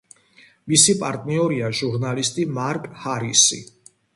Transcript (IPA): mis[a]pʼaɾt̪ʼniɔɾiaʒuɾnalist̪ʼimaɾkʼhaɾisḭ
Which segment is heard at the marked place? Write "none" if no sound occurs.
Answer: i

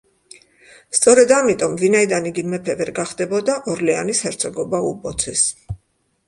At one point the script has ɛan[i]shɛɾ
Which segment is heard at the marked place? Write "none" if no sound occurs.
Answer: i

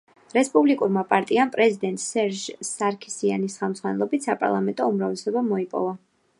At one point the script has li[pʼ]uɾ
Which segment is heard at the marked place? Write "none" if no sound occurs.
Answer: kʼ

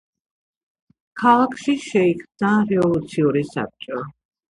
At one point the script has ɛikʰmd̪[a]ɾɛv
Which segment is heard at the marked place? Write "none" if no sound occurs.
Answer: a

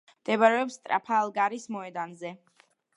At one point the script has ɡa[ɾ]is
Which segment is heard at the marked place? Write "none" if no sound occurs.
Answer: ɾ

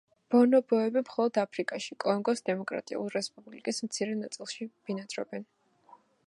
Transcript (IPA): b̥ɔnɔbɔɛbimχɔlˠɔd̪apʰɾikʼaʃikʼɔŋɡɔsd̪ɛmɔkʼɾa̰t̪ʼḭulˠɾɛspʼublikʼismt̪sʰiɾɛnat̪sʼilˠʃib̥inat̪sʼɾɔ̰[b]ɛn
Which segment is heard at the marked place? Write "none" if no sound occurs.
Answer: b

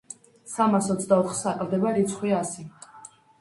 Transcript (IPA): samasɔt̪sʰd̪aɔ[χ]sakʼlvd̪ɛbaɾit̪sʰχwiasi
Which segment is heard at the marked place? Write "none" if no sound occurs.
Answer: χ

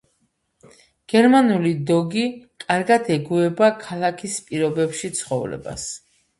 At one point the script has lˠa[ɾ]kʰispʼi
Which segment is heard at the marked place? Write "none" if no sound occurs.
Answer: none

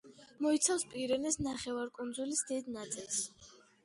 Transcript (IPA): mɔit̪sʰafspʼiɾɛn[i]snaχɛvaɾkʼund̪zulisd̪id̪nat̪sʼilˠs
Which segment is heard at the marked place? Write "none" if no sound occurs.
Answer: ɛ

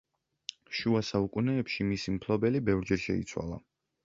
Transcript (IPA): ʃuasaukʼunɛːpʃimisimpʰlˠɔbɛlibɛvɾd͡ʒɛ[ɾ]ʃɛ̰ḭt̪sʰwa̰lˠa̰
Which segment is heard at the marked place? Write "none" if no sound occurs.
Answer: ɾ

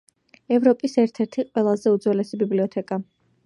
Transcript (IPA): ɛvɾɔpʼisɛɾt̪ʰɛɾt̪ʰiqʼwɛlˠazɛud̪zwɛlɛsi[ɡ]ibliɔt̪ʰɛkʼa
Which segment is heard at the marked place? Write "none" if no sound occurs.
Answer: b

